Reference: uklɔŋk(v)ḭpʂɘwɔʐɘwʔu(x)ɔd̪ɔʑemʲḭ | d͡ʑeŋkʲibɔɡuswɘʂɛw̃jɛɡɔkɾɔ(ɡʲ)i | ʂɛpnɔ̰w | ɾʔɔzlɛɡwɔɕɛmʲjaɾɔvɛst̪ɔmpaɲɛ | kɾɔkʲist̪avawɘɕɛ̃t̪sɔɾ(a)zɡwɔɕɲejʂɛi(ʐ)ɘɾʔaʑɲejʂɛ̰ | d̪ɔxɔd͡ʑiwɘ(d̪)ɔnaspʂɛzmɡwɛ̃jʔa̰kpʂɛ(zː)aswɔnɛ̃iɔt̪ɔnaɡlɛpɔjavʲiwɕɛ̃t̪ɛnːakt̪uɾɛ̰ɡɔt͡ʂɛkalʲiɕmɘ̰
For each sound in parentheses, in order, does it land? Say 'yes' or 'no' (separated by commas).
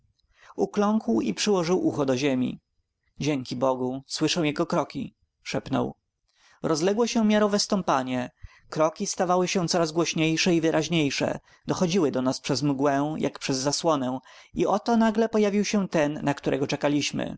no, yes, no, yes, no, yes, yes